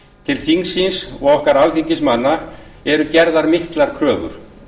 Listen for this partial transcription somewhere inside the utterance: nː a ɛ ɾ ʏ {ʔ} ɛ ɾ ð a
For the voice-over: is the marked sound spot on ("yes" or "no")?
no